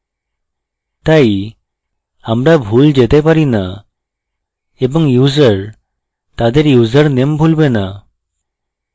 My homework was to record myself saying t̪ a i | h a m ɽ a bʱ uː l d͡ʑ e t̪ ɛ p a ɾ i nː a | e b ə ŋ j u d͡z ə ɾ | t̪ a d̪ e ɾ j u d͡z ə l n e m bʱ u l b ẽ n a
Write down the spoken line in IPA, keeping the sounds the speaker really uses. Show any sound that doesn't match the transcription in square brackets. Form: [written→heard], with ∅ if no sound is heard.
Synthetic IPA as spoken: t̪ a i | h a m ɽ a bʱ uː l d͡ʑ e t̪ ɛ p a ɾ i [nː→n] a | e b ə ŋ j u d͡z ə ɾ | t̪ a d̪ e ɾ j u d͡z ə [l→ɾ] n e m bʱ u l b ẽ n a